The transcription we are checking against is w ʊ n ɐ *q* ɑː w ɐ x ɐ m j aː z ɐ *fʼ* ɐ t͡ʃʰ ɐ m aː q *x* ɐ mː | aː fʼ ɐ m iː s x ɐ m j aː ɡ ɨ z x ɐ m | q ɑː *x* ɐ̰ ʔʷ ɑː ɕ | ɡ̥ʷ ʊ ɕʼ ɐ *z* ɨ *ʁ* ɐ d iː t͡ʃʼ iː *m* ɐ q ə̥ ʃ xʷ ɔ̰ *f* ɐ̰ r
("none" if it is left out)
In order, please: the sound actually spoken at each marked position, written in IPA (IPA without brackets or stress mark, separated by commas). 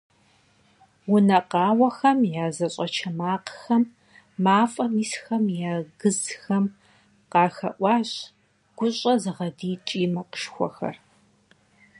q, ɕʼ, x, x, z, ʁ, m, x